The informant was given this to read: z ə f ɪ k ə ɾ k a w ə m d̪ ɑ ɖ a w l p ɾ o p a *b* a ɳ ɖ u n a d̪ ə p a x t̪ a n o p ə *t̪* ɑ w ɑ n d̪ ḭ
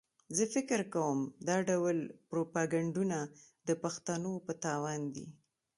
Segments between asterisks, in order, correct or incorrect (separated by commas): incorrect, correct